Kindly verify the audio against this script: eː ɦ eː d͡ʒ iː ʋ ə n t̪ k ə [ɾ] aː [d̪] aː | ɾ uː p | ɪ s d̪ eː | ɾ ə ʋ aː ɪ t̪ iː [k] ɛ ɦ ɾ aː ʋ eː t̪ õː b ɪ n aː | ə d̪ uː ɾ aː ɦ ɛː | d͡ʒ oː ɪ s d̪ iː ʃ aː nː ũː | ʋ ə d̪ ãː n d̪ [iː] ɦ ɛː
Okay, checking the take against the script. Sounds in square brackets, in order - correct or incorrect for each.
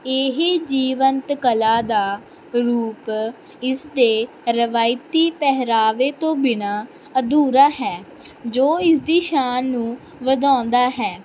incorrect: l, correct, incorrect: p, incorrect: aː

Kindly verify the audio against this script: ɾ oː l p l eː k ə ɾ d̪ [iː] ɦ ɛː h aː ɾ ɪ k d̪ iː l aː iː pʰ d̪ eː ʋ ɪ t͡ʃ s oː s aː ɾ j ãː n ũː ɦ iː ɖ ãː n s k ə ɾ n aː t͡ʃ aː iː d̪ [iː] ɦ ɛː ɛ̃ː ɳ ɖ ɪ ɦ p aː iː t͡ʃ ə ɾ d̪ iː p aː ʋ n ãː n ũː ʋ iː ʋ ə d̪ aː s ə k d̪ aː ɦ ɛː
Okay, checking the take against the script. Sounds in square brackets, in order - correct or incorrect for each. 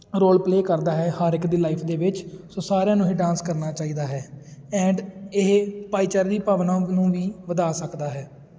incorrect: aː, incorrect: aː

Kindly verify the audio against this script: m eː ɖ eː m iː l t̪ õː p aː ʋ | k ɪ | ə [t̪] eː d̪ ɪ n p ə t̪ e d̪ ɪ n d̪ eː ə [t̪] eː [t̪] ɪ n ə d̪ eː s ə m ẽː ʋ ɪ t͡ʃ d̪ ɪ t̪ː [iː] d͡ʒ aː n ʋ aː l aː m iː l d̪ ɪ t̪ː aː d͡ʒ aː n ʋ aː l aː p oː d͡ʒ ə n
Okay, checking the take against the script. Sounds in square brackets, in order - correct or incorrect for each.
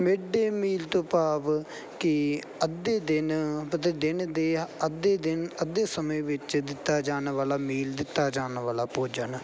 incorrect: d̪, incorrect: d̪, incorrect: d̪, incorrect: aː

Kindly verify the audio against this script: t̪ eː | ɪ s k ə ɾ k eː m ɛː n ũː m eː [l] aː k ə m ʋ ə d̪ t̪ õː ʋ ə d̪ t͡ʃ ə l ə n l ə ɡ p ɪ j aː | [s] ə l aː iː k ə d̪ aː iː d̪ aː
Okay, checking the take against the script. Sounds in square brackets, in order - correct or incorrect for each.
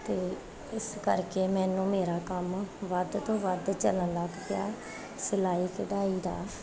incorrect: ɾ, correct

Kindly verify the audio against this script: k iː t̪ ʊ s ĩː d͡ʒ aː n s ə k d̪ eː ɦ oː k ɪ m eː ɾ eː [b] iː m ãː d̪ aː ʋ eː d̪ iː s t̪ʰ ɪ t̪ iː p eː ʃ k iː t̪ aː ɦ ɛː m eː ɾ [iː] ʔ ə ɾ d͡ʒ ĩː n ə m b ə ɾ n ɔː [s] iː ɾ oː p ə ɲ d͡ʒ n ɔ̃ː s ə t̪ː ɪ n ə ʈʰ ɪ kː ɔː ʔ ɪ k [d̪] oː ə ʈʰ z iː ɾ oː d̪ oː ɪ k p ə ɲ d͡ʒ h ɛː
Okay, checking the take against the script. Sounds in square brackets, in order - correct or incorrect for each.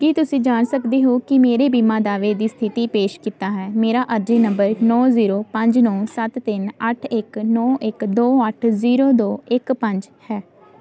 correct, incorrect: aː, incorrect: z, correct

